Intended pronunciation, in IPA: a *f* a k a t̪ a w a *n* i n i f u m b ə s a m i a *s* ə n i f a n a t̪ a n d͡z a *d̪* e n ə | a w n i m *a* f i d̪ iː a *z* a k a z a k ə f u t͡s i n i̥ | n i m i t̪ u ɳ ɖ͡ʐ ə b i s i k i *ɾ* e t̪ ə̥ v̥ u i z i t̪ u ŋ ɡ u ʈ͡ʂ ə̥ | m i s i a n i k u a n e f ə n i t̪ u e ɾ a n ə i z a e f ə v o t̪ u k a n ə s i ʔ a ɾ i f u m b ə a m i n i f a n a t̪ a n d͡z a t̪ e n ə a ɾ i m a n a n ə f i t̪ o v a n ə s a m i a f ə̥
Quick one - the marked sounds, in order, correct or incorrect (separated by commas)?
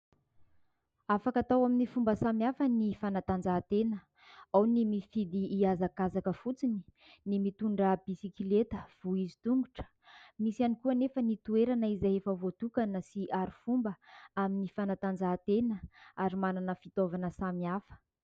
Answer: correct, incorrect, incorrect, incorrect, incorrect, correct, incorrect